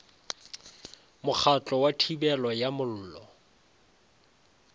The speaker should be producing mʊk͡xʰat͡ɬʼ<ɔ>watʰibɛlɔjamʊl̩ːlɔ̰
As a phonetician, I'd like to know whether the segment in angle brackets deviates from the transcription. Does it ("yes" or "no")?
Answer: no